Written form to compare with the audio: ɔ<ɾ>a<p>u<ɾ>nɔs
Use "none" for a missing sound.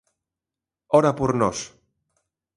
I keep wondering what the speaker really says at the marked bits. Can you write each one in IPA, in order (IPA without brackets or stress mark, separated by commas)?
ɾ, p, ɾ